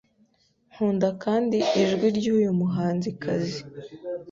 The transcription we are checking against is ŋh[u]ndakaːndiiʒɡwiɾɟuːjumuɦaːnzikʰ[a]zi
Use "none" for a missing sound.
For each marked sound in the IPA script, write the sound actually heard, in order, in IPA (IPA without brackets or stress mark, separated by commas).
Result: uː, a